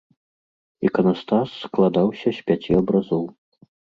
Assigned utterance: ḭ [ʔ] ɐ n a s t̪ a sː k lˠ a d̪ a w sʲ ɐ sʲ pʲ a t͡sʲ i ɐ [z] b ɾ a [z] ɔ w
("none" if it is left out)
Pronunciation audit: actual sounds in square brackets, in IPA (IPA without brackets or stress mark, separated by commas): k, none, z